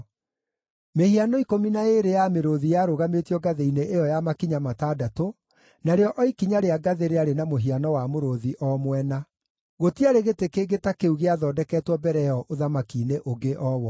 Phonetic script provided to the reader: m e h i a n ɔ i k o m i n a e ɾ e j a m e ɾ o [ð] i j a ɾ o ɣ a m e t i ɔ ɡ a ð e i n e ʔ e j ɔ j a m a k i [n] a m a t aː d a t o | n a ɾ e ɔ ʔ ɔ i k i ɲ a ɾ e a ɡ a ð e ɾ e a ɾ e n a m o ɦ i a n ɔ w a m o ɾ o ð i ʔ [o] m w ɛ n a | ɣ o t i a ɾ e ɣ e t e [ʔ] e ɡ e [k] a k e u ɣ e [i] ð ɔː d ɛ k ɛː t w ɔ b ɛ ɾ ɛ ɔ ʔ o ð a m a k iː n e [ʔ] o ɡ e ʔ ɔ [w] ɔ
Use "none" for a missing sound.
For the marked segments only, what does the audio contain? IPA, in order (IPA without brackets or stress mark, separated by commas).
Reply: ð, ɲ, ɔ, k, t, a, ʔ, w